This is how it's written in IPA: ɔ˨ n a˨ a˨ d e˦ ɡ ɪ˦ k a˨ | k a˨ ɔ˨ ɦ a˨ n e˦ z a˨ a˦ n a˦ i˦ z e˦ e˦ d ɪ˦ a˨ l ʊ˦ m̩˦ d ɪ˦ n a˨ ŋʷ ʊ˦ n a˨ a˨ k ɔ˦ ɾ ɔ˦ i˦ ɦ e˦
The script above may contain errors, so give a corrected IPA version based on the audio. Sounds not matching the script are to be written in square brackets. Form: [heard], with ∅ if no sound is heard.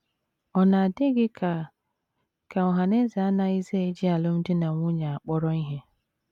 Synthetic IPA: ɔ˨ n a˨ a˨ d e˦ ɡ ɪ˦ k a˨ | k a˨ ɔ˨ ɦ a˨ n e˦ z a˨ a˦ n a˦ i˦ z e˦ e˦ [d͡ʒ] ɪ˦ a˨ l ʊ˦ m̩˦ d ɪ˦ n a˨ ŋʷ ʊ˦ [ɲ] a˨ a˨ [k͡p] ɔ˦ ɾ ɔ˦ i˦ ɦ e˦